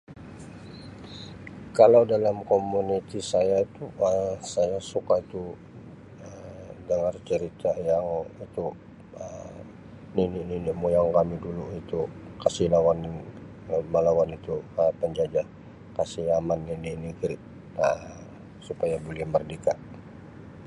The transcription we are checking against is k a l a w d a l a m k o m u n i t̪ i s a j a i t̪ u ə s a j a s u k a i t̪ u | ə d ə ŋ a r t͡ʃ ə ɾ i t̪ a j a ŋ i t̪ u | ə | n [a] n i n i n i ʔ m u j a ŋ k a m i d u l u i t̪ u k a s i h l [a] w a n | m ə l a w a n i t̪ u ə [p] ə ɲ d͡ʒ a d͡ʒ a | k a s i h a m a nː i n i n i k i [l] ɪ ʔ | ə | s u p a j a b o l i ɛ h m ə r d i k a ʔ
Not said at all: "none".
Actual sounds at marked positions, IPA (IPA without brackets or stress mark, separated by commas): i, a, p, ɾ